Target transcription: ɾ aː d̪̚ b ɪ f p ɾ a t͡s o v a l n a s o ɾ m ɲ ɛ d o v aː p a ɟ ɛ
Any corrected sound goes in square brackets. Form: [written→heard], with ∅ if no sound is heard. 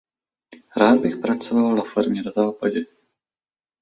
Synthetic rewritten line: ɾ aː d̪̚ b ɪ [f→x] p ɾ a t͡s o v a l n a [s→f] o ɾ m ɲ ɛ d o [v→z] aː p a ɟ ɛ